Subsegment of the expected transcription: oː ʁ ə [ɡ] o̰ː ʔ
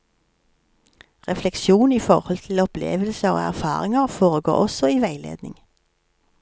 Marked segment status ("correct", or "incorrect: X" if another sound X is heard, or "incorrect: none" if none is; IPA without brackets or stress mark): correct